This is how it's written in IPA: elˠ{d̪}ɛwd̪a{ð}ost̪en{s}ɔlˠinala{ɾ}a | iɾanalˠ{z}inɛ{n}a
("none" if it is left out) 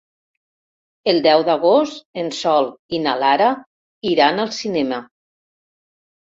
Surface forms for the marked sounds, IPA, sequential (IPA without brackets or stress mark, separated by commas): d̪, ɣ, s, ɾ, s, m